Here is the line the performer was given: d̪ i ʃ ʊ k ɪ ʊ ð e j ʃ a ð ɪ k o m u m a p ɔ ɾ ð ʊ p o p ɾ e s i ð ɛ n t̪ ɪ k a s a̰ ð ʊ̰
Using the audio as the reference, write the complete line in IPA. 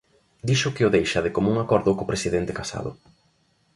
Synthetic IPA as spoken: d̪ i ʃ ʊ k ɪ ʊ ð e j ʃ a ð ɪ k o m u ŋ a k ɔ ɾ ð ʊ k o p ɾ e s i ð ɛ n t̪ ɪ k a s a̰ ð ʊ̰